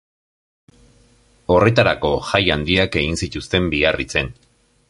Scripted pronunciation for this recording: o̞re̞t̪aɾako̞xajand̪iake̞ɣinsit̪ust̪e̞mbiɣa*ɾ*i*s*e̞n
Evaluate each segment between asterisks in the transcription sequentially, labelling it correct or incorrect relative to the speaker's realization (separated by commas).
incorrect, incorrect